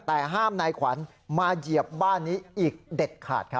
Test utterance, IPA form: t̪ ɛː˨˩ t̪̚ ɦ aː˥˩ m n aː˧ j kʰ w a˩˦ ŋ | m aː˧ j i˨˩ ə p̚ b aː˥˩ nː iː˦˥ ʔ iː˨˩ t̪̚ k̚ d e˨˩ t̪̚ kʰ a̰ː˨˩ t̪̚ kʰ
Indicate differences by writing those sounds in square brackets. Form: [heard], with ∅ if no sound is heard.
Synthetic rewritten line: t̪ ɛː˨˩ [∅] ɦ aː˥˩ m n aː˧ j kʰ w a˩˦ [n] | m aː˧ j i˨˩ ə p̚ b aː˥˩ nː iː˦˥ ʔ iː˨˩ [∅] k̚ d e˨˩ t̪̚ kʰ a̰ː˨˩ t̪̚ kʰ